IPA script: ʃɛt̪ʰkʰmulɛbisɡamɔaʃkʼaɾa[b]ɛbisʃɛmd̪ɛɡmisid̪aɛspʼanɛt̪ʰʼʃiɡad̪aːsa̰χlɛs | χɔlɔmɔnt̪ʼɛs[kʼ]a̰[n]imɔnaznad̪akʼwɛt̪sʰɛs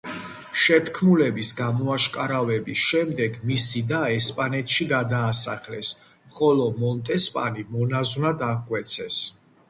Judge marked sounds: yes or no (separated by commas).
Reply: no, no, yes